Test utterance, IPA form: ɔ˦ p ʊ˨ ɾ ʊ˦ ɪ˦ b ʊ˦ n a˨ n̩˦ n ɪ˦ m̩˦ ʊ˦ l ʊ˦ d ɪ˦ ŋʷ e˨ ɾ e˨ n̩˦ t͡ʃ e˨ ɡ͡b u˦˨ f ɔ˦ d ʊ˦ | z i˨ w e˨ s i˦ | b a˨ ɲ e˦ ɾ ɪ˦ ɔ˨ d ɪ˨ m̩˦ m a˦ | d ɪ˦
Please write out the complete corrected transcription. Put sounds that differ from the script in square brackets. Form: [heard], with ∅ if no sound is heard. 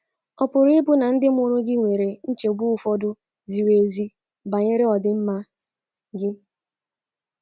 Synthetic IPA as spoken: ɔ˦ p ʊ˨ ɾ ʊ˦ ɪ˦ b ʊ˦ n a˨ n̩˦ [d] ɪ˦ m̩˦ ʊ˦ [ɾ] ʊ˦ [ɡ] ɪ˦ ŋʷ e˨ ɾ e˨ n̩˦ t͡ʃ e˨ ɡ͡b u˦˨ f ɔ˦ d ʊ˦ | z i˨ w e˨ [z] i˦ | b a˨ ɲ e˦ ɾ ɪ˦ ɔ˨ d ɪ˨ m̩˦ m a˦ | [ɡ] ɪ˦